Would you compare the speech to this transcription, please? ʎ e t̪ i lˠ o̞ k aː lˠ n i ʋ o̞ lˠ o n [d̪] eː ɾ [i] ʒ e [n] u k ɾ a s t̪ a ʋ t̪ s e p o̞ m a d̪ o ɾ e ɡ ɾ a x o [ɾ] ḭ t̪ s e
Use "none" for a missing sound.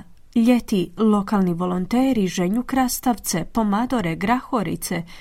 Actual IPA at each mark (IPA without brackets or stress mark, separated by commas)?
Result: t̪, i, ɲ, ɾ